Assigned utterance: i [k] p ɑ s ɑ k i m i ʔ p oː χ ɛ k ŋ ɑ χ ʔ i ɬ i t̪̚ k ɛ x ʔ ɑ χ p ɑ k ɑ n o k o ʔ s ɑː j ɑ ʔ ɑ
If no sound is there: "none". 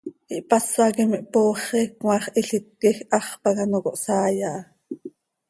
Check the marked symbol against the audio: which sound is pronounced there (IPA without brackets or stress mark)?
ʔ